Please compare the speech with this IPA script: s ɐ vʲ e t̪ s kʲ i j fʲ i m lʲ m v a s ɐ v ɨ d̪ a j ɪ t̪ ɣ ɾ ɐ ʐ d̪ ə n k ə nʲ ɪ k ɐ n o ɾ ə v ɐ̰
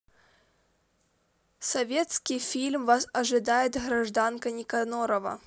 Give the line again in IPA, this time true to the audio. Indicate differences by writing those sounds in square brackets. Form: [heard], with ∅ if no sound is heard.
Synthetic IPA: s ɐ vʲ e t̪ s kʲ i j fʲ i [∅] lʲ m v a s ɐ [ʐ] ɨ d̪ a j ɪ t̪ ɣ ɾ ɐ ʐ d̪ [a] n k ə nʲ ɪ k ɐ n o ɾ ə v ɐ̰

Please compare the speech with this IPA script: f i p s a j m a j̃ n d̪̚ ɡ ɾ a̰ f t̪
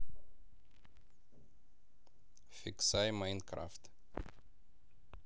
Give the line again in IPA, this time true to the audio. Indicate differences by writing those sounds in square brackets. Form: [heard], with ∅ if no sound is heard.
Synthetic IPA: f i [k] s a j m a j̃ n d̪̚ [k] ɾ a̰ f t̪

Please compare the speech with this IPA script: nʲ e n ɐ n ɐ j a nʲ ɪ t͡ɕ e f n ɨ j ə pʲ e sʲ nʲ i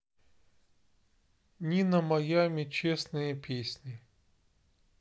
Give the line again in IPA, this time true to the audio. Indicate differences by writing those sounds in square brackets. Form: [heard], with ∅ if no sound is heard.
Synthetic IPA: nʲ [i] n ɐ [m] ɐ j a [mʲ] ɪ t͡ɕ e [s] n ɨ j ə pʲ e sʲ nʲ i

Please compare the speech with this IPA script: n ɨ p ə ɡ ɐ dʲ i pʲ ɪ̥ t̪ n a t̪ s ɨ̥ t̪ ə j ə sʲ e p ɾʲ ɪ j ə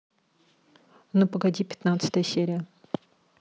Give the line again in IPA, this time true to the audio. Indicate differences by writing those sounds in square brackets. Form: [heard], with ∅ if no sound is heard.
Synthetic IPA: n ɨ p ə ɡ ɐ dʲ i pʲ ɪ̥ t̪ n a t̪ s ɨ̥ t̪ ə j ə sʲ e [∅] ɾʲ ɪ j ə

